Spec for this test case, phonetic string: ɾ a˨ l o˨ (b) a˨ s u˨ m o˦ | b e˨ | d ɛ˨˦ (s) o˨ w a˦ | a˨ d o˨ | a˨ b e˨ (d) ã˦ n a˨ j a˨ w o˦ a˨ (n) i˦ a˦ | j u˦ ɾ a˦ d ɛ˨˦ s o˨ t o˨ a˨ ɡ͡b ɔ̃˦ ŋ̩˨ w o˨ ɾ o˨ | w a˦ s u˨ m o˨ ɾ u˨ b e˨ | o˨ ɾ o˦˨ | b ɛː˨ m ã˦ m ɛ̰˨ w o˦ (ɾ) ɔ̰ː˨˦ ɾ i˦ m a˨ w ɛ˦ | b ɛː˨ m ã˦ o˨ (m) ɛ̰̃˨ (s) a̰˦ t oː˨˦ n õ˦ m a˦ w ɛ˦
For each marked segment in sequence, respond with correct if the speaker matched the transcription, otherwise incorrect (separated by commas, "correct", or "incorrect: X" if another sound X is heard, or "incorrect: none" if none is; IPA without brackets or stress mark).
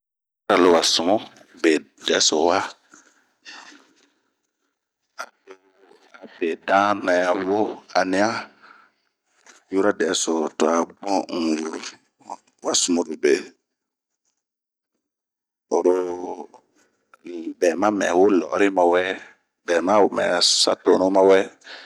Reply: incorrect: w, correct, correct, correct, incorrect: l, correct, correct